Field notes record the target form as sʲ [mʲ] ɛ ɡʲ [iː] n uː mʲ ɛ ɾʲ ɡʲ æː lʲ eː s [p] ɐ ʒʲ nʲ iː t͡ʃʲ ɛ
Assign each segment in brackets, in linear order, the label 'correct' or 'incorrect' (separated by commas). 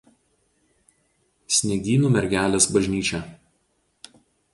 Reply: incorrect, correct, incorrect